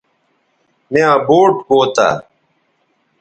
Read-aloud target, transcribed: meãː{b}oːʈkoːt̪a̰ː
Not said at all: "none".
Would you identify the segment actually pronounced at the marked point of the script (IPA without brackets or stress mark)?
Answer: b